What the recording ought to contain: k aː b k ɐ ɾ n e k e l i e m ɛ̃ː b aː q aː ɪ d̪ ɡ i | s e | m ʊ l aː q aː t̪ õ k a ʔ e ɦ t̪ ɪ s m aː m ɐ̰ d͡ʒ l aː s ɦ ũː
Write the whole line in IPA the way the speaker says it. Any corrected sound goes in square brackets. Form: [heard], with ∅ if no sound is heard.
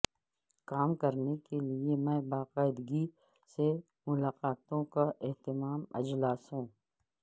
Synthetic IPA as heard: k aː [m] k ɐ ɾ n e k e l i e m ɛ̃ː b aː q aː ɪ d̪ ɡ i | s e | m ʊ l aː q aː t̪ õ k a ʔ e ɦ t̪ ɪ [∅] m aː m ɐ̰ d͡ʒ l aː s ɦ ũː